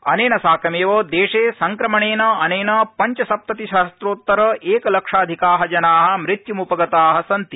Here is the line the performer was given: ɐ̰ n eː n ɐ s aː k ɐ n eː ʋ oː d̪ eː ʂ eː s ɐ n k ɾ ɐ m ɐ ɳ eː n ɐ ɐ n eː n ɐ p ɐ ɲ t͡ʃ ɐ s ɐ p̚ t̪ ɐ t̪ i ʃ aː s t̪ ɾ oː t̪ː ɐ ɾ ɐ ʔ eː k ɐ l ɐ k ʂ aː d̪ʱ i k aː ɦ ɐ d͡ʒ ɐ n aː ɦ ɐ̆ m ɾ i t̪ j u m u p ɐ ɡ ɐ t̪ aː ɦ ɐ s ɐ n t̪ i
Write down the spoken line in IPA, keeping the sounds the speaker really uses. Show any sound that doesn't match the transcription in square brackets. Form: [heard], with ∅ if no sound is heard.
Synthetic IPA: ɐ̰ n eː n ɐ s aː k ɐ [m] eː ʋ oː d̪ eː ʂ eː s ɐ [ŋ] k ɾ ɐ m ɐ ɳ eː n ɐ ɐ n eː n ɐ p ɐ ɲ t͡ʃ ɐ s ɐ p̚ t̪ ɐ t̪ i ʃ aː s t̪ ɾ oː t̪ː ɐ ɾ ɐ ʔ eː k ɐ l ɐ k ʂ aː d̪ʱ i k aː ɦ ɐ d͡ʒ ɐ n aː ɦ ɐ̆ m ɾ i t̪ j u m u p ɐ ɡ ɐ t̪ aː ɦ ɐ s ɐ n t̪ i